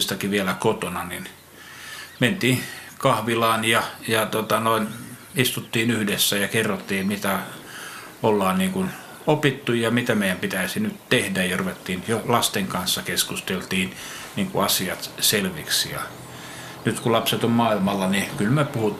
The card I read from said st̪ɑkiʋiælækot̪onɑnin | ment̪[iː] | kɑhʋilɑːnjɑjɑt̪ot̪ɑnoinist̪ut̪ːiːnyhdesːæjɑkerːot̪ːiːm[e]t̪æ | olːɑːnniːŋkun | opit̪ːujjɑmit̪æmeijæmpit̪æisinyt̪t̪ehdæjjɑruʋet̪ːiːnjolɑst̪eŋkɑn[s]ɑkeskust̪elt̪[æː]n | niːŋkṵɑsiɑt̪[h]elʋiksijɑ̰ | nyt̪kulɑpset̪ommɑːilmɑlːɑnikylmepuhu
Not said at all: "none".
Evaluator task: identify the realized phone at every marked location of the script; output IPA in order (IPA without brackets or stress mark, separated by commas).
iː, i, sː, iː, s